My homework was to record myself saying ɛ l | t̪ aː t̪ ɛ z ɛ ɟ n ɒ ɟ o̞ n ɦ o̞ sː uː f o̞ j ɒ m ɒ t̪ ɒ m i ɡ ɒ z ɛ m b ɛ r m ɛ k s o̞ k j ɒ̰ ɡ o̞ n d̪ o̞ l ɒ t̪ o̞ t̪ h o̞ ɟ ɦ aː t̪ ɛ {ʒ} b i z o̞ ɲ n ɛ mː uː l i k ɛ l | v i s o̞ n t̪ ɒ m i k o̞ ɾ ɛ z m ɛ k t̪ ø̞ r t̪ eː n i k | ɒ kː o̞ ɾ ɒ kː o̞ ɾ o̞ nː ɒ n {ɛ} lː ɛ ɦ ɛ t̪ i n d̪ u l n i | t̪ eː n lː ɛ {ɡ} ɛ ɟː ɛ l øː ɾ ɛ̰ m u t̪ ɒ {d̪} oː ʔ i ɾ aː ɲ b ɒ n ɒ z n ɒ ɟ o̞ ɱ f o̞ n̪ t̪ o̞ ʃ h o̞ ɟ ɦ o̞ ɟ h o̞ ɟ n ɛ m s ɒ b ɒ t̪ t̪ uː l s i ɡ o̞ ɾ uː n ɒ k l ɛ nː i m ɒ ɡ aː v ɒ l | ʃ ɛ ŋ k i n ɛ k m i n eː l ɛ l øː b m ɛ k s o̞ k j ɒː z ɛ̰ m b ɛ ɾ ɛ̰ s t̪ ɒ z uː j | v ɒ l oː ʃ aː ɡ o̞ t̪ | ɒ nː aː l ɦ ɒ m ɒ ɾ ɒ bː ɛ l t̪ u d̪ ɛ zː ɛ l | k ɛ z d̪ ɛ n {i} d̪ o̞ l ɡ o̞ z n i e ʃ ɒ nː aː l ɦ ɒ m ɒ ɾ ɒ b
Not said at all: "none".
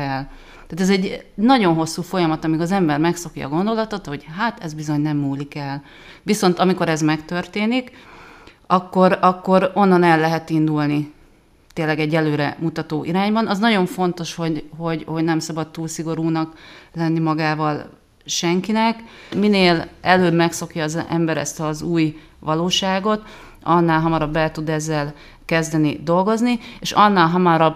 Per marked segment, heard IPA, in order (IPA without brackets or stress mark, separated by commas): z, ɛ, ɡ, t̪, i